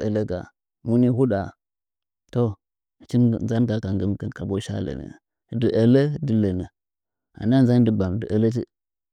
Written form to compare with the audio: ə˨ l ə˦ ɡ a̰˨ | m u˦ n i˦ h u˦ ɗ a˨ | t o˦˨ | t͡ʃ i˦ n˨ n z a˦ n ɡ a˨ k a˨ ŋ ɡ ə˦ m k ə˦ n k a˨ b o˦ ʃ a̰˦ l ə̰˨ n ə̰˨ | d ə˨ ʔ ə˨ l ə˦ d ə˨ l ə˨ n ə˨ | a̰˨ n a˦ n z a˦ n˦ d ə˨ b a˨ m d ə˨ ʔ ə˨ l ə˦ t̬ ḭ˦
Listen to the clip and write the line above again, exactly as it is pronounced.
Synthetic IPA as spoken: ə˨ l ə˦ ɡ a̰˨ | m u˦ n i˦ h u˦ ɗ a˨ | t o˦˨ | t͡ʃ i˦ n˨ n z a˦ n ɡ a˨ k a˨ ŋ ɡ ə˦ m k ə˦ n k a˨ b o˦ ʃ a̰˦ l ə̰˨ n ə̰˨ | d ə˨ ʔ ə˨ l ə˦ d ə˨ l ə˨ n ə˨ | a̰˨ n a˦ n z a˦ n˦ d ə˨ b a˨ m d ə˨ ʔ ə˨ l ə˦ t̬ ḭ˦